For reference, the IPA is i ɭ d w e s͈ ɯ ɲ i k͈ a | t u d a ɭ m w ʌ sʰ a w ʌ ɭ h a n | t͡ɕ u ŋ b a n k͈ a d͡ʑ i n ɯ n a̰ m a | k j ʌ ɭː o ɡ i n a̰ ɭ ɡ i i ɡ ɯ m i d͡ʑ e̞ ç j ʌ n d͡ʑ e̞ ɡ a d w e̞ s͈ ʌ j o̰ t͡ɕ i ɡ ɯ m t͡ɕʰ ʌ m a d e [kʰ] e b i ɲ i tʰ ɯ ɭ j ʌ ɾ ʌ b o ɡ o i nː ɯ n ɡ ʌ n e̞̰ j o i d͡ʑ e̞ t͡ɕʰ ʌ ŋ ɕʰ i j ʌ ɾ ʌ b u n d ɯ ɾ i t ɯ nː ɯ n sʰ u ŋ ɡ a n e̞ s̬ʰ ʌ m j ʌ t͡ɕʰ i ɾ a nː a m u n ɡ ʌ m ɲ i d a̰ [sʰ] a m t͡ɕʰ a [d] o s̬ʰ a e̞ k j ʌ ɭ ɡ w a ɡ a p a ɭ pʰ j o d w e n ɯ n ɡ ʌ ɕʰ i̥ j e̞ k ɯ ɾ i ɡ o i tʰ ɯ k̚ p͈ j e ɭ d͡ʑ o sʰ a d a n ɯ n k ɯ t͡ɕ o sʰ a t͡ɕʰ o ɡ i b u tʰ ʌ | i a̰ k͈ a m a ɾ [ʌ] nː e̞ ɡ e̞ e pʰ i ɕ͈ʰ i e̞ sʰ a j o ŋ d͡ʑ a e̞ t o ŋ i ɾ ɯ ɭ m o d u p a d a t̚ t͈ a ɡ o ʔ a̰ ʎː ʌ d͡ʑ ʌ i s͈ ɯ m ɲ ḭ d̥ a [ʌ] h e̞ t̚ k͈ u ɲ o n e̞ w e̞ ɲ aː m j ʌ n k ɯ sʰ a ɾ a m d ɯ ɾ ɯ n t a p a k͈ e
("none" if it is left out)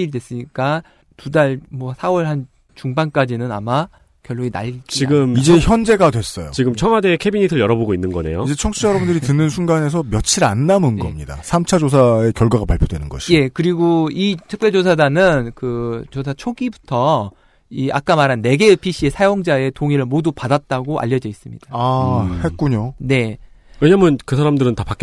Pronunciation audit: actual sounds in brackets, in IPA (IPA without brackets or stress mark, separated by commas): kʰ, sʰ, d͡ʑ, a, a